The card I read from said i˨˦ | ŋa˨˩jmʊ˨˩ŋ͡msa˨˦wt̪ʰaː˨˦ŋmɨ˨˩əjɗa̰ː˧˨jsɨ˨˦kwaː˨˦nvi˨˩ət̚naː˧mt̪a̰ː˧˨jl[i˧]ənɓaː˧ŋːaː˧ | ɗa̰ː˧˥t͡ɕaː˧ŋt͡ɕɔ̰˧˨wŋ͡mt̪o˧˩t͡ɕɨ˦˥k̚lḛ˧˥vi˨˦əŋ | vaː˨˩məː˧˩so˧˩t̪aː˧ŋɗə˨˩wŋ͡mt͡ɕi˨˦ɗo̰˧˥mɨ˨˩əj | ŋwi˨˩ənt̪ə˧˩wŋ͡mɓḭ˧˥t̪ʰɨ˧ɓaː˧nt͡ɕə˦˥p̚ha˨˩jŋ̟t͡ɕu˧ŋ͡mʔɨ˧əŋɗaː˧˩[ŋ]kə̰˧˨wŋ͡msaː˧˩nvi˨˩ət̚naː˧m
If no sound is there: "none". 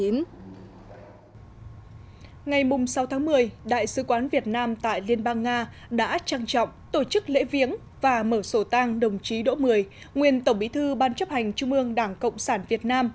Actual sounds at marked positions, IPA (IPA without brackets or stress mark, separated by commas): i˧, ŋ